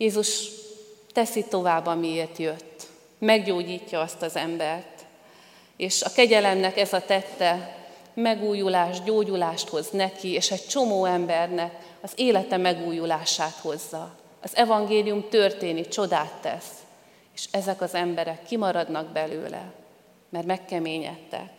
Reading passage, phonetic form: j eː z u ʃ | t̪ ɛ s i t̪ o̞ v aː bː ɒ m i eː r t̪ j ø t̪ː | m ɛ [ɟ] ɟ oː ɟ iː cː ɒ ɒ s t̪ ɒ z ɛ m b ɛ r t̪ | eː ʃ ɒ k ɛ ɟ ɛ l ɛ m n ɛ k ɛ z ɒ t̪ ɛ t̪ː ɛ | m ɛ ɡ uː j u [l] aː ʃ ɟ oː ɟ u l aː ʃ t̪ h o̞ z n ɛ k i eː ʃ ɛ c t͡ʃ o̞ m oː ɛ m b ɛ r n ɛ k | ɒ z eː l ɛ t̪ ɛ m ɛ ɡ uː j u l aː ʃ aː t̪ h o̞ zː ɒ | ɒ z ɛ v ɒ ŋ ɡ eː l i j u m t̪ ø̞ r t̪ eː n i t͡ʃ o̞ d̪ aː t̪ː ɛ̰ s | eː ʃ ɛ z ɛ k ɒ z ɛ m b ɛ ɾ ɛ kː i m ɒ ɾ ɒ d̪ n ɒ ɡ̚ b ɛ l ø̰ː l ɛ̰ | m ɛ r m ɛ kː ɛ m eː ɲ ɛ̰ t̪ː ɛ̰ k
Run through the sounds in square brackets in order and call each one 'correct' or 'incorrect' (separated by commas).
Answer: incorrect, correct